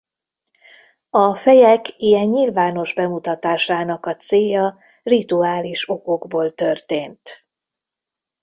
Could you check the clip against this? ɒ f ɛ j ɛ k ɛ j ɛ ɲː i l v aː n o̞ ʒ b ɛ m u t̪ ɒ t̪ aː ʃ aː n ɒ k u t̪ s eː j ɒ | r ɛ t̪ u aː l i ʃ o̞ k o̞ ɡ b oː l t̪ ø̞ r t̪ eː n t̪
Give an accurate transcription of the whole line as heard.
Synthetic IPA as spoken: ɒ f ɛ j ɛ k i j ɛ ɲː i l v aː n o̞ ʒ b ɛ m u t̪ ɒ t̪ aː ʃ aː n ɒ k ɒ t̪ s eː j ɒ | r i t̪ u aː l i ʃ o̞ k o̞ ɡ b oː l t̪ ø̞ r t̪ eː n t̪